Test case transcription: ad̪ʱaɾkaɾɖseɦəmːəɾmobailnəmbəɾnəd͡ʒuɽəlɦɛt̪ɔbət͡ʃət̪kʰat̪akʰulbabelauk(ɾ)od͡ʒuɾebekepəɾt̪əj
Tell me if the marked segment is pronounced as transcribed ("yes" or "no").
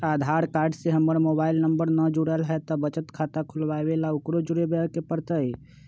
yes